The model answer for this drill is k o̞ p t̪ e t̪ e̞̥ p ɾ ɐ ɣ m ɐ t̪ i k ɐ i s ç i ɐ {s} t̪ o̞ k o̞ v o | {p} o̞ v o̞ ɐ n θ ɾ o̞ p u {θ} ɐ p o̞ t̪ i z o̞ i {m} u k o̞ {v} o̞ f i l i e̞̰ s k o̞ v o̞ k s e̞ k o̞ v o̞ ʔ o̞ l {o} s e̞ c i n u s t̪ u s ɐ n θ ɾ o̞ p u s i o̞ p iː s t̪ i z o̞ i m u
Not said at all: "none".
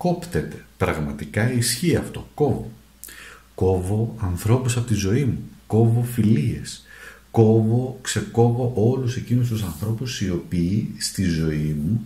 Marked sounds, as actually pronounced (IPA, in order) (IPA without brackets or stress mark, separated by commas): f, k, s, m, v, u